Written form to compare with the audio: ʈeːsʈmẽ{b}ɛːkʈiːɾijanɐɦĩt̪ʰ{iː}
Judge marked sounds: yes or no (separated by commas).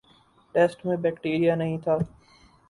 yes, no